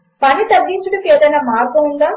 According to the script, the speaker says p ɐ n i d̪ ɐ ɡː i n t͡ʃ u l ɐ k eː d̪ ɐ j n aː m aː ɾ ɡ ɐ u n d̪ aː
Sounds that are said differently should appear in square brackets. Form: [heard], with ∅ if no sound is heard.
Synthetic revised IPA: p ɐ n i [t̪] ɐ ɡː i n t͡ʃ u [ɽ] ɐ k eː d̪ ɐ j n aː m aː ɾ ɡ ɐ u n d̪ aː